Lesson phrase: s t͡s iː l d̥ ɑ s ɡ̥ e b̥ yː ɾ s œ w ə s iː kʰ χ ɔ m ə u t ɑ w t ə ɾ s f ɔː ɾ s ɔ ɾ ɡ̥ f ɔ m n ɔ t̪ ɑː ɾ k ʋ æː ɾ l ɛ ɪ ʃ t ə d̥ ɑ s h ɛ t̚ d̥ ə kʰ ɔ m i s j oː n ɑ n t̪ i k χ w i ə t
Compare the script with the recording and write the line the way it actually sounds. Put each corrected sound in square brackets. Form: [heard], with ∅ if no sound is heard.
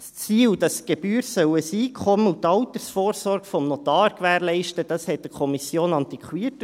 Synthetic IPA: s t͡s iː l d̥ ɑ s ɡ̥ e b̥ yː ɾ s œ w ə s iː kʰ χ ɔ m ə u t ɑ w t ə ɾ s f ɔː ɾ s ɔ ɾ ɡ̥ f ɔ m n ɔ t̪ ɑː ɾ k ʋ æː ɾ l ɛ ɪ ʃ t ə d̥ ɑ s h ɛ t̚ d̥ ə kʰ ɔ m i s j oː n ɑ n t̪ i k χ w i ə t

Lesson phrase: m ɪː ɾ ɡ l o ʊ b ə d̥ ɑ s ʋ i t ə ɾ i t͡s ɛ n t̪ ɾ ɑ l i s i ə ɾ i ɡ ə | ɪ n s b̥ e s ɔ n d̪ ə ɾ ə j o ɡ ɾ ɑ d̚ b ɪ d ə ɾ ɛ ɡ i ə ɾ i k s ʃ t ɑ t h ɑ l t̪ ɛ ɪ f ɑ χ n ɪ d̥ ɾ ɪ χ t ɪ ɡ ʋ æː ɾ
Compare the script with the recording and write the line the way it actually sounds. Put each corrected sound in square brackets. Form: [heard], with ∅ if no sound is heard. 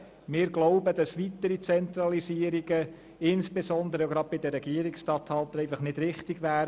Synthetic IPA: m ɪː ɾ ɡ l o ʊ b ə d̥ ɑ s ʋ i t ə ɾ i t͡s ɛ n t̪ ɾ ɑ l i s i ə ɾ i ɡ ə | ɪ n s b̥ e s ɔ n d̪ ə ɾ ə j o ɡ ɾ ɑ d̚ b ɪ d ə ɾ ɛ ɡ i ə ɾ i k s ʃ t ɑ t h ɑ l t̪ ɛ ɪ f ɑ χ n ɪ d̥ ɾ ɪ χ t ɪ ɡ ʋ æː ɾ

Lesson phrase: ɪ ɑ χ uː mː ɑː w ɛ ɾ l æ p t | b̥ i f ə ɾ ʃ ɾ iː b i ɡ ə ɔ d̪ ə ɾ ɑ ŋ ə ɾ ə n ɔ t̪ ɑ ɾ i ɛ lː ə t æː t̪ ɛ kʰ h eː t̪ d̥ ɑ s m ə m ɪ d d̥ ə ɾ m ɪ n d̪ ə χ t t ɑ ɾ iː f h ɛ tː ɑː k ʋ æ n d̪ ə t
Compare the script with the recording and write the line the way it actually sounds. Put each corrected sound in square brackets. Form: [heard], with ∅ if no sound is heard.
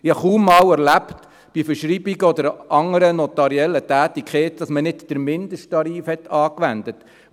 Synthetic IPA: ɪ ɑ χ uː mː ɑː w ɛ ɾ l æ p t | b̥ i f ə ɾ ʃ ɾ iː b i ɡ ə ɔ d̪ ə ɾ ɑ ŋ ə ɾ ə n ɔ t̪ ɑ ɾ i ɛ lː ə t æː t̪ [i] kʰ [χ] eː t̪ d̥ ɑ s m ə [n] ɪ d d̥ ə ɾ m ɪ n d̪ ə [ʃ] t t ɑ ɾ iː f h ɛ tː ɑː k ʋ æ n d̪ ə t

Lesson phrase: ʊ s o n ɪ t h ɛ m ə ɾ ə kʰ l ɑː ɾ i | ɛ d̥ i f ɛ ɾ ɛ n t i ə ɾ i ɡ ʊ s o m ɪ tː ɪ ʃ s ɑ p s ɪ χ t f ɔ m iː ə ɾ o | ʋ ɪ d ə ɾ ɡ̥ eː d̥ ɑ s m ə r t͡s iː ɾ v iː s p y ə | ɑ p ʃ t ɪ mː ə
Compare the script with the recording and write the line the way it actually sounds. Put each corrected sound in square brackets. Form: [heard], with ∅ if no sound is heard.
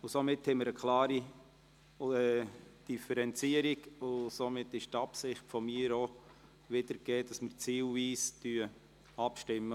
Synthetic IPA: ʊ s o [m] ɪ t h ɛ m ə ɾ ə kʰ l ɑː ɾ i | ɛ d̥ i f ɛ ɾ ɛ n [t͡s] i ə ɾ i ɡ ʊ s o m ɪ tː ɪ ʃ [t] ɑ p s ɪ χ t f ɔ m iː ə ɾ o | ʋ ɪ d ə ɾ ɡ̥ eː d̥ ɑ s m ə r t͡s iː [l] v iː s [t] y ə | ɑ p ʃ t ɪ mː ə

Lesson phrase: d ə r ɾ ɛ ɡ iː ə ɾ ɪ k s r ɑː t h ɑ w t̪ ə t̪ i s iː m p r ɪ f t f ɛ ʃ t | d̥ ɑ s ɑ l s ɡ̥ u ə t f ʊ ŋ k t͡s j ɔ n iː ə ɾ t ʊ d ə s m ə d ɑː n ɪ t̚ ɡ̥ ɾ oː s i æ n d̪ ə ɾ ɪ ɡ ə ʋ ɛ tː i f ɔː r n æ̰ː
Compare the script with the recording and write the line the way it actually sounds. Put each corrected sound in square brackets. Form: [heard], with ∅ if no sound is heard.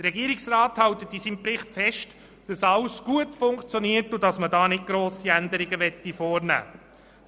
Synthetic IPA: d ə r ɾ ɛ ɡ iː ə ɾ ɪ k s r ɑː t h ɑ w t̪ ə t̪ i s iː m p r ɪ [χ] t f ɛ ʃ t | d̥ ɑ s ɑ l s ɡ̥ u ə t f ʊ ŋ k t͡s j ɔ n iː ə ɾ t ʊ d [ɑ] s m ə d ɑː n ɪ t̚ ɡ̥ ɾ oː s i æ n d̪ ə ɾ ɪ ɡ ə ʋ ɛ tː i f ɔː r n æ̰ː

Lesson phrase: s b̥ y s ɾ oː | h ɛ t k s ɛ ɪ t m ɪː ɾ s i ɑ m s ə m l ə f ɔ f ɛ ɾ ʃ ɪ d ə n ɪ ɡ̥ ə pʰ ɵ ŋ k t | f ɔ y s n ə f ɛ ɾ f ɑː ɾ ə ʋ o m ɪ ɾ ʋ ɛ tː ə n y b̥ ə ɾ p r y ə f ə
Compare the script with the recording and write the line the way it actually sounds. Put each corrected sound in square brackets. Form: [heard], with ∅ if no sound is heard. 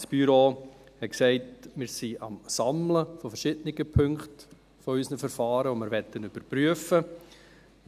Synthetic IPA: s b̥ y [∅] ɾ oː | h ɛ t k s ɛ ɪ t m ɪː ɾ s i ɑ m s [ɑ] m l ə f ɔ f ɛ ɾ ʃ ɪ d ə n ɪ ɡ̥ ə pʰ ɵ ŋ k t | f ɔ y s n ə f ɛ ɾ f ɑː ɾ ə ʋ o m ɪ ɾ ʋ ɛ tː ə n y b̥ ə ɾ p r y ə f ə

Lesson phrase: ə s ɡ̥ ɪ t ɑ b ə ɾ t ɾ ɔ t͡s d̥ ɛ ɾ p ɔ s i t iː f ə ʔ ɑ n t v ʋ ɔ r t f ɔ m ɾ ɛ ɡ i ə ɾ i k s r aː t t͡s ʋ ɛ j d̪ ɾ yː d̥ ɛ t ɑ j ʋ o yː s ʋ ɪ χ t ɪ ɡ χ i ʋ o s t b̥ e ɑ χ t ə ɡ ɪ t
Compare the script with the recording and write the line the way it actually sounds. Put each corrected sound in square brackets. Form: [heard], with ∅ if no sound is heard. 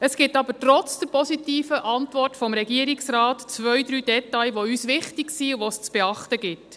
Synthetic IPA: ə s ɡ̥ ɪ t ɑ b ə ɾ t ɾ ɔ t͡s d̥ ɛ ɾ p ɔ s i t iː f ə ʔ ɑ n t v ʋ ɔ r t f ɔ m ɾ ɛ ɡ i ə ɾ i k s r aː t t͡s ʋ [œ] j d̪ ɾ yː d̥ ɛ t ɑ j ʋ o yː s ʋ ɪ χ t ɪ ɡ [s] i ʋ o s [t͡s] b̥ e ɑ χ t ə ɡ ɪ t

